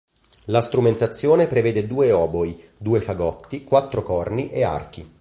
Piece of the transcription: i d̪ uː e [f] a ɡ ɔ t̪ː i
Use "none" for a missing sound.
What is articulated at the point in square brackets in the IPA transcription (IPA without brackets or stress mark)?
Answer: f